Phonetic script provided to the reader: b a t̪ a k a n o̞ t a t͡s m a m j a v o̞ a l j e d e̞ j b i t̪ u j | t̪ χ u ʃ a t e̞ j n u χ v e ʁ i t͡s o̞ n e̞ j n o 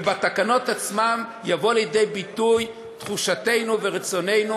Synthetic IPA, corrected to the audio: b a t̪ a k a n o̞ t a t͡s m a m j a v o̞ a l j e d e̞ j b i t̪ u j | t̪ χ u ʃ a t e̞ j n u v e ʁ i t͡s o̞ n e̞ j n u